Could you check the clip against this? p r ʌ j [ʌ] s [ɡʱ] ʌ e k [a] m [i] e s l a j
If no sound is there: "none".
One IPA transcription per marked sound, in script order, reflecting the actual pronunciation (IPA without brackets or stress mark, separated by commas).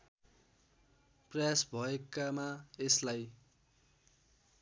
a, bʱ, a, a